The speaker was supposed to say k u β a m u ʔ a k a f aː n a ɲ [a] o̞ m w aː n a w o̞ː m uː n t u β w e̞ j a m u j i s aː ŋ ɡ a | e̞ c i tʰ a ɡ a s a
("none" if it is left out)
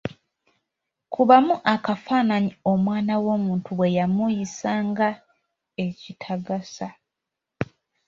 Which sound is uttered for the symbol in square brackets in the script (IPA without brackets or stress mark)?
i